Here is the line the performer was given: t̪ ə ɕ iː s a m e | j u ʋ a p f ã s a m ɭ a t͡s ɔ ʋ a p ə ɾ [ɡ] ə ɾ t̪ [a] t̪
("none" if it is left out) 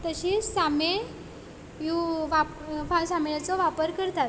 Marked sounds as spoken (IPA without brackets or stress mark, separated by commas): k, a